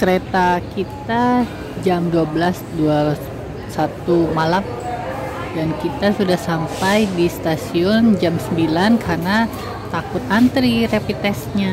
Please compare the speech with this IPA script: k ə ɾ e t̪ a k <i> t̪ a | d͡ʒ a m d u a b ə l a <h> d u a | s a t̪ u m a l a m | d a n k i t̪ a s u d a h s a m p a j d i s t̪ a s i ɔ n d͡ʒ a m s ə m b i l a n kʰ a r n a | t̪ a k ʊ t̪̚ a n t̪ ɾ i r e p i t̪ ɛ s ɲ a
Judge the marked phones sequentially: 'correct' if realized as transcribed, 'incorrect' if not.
correct, incorrect

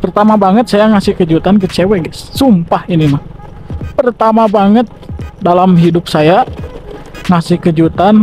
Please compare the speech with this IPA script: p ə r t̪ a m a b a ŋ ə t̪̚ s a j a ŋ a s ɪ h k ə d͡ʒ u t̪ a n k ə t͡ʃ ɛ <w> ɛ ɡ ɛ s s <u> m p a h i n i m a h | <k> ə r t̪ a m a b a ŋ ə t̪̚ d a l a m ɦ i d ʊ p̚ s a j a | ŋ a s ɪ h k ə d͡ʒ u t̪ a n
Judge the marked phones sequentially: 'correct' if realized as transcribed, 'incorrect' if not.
correct, correct, incorrect

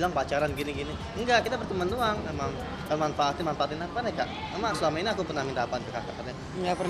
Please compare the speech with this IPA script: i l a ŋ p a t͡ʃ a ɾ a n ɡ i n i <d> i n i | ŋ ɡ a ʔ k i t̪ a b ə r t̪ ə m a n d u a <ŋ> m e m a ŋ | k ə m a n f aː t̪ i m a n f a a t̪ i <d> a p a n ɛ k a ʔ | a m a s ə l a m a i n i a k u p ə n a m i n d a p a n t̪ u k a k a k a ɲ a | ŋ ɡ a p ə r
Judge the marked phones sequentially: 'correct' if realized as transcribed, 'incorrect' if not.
incorrect, correct, incorrect

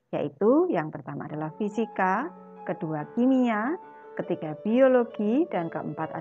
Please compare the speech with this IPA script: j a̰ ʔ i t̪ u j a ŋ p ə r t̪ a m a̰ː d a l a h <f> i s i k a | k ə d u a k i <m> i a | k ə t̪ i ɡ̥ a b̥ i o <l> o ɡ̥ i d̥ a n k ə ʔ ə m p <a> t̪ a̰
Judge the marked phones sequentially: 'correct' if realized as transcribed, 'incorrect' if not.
correct, correct, correct, correct

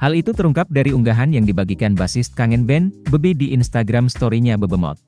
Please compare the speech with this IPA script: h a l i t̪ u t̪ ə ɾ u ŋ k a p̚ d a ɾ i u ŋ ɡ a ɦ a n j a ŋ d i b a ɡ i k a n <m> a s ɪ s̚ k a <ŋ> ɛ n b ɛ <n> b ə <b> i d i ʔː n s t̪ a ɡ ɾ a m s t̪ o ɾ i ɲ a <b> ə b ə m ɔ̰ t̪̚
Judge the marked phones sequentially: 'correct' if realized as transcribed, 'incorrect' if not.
incorrect, correct, correct, correct, correct

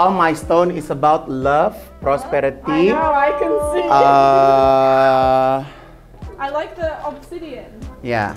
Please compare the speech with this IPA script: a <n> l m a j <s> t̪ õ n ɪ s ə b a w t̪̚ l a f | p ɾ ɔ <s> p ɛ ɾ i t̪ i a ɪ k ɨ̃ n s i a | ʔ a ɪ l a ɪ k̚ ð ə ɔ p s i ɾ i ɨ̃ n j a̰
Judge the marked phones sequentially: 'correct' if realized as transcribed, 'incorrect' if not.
incorrect, correct, correct

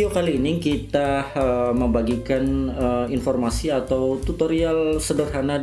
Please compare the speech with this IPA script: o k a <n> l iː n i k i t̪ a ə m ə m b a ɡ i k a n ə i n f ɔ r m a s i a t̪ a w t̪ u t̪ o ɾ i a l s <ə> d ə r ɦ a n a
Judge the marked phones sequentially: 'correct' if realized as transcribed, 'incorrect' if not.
incorrect, correct

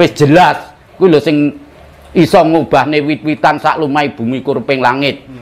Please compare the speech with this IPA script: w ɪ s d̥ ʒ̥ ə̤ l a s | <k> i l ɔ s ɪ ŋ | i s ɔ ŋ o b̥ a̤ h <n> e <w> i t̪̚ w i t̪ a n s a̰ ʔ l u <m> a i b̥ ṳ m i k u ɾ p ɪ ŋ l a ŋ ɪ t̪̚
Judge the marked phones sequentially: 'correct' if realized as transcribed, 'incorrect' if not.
correct, correct, correct, correct

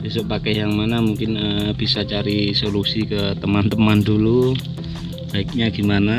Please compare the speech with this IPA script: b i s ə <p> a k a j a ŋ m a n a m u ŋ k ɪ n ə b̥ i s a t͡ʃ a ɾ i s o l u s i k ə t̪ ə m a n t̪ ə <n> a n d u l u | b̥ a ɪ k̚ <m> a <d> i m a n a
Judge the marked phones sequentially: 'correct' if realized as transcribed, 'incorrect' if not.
correct, incorrect, incorrect, incorrect

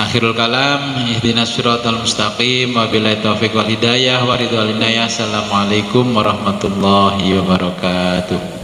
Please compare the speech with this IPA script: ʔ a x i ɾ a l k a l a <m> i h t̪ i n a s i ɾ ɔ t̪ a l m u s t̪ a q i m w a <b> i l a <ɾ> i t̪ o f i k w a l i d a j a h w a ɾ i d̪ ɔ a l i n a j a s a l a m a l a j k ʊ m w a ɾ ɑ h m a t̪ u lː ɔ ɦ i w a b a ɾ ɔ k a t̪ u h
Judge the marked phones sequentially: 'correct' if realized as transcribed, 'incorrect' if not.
correct, correct, incorrect

